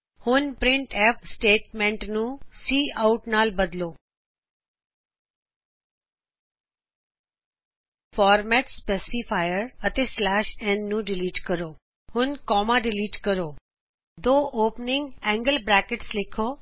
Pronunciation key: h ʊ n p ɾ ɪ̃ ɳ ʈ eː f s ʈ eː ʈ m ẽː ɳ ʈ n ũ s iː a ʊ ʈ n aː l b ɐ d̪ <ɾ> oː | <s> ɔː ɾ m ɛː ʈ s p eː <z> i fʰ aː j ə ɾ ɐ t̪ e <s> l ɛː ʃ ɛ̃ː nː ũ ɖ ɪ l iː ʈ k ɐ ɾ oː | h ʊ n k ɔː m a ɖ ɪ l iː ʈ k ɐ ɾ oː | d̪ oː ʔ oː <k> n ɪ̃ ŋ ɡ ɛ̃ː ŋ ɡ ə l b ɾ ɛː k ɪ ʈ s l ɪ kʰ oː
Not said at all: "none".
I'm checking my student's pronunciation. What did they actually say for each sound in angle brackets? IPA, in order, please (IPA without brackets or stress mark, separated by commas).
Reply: l, f, s, s, p